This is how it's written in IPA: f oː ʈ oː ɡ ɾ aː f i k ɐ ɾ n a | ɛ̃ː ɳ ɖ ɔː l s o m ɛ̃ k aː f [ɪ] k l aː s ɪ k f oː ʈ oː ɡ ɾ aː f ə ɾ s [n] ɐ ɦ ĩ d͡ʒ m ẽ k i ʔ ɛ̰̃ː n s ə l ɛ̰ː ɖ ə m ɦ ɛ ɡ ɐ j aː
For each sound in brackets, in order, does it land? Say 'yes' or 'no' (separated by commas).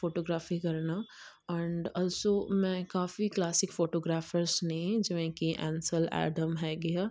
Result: no, yes